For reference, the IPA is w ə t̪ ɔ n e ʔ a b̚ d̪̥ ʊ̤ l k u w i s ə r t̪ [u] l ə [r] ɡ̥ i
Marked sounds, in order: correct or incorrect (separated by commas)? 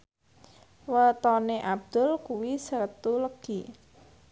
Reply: correct, incorrect